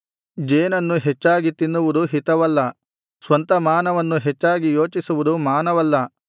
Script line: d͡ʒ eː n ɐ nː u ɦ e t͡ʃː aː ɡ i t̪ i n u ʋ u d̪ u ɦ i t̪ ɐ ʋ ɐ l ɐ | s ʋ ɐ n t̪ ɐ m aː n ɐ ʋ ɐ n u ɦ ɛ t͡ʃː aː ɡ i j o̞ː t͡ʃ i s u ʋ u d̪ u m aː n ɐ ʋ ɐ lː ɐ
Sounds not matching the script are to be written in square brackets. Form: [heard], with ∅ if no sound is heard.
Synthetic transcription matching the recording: d͡ʒ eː n ɐ nː u ɦ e t͡ʃː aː ɡ i t̪ i [nː] u ʋ u d̪ u ɦ i t̪ ɐ ʋ ɐ [lː] ɐ | s ʋ ɐ n t̪ ɐ m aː n ɐ ʋ ɐ [nː] u ɦ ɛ t͡ʃː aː ɡ i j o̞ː t͡ʃ i s u ʋ u d̪ u m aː n ɐ ʋ ɐ lː ɐ